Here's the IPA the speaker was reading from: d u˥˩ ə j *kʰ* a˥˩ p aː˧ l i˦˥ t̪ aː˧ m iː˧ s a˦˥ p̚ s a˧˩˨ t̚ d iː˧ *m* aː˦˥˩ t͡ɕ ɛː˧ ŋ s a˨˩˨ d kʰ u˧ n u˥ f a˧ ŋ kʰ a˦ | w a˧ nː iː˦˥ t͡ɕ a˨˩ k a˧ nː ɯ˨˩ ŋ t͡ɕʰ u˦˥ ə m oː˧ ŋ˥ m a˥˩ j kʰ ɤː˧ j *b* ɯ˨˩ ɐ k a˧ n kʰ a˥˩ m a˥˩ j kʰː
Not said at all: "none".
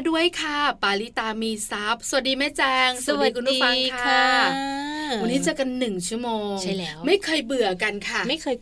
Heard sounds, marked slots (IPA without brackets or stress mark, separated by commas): kʰ, m, b